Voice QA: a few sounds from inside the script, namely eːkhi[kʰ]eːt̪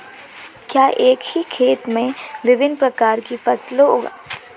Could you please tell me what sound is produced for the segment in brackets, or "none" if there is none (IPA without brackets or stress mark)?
kʰ